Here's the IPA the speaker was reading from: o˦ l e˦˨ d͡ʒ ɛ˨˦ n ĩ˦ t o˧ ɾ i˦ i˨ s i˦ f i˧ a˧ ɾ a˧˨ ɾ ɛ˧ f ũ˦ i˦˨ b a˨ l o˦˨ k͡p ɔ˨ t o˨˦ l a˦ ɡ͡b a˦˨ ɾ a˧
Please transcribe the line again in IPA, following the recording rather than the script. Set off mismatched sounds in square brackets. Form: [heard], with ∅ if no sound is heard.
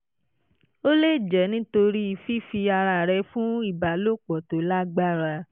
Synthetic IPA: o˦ l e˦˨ d͡ʒ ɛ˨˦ n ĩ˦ t o˧ ɾ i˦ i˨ [f] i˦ f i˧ a˧ ɾ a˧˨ ɾ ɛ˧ f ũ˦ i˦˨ b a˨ l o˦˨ k͡p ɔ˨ t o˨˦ l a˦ ɡ͡b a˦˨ ɾ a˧